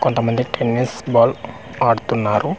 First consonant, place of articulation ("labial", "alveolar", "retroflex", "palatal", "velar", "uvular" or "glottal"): velar